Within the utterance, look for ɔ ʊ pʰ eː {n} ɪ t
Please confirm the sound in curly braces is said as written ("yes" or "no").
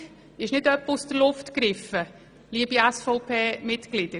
no